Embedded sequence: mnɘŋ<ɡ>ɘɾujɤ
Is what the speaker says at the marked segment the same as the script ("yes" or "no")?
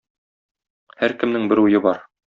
no